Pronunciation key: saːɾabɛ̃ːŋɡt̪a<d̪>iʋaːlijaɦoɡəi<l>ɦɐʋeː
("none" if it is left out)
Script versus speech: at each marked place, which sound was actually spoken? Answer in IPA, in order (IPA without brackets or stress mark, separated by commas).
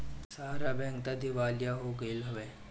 d̪, l